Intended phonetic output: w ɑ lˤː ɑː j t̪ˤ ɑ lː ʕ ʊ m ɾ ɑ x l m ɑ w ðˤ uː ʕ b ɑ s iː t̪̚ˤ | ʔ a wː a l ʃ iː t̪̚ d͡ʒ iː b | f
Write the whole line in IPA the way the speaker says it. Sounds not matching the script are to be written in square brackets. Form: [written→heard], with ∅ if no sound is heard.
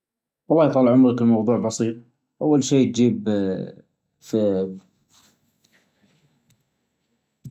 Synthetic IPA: w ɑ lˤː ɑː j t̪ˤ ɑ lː ʕ ʊ m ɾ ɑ [x→k] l m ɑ w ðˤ uː ʕ b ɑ s iː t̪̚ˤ | ʔ a wː a l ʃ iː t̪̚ d͡ʒ iː b | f